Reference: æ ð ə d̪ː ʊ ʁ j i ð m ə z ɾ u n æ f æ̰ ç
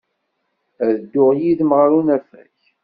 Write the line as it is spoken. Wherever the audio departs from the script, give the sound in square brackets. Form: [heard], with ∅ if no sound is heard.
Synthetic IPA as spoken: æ ð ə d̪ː ʊ ʁ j i ð m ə [ʁ] ɾ u n æ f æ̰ ç